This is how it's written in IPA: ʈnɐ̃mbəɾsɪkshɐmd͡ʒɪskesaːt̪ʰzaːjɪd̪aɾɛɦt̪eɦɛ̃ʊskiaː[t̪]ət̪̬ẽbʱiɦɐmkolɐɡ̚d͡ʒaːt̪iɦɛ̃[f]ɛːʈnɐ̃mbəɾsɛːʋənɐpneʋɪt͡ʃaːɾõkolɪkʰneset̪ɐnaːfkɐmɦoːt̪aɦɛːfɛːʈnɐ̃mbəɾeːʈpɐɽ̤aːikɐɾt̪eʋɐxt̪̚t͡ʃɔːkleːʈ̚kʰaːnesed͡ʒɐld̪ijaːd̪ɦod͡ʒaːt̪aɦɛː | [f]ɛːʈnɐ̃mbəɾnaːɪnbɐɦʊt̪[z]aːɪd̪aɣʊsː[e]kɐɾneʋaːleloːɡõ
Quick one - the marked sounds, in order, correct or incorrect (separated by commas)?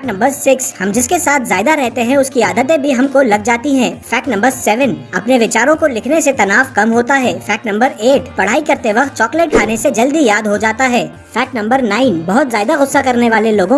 incorrect, correct, correct, correct, incorrect